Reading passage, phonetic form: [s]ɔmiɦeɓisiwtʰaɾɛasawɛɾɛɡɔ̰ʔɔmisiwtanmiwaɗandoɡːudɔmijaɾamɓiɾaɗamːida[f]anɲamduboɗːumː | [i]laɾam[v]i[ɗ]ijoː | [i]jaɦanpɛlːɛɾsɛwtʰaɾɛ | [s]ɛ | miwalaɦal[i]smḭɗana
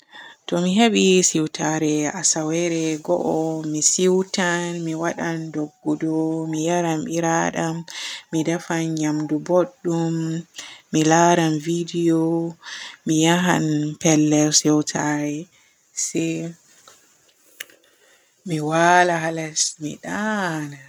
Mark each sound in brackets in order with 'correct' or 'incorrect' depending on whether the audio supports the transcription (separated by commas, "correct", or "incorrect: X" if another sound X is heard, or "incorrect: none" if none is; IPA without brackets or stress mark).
incorrect: t, correct, correct, correct, incorrect: d, correct, correct, incorrect: a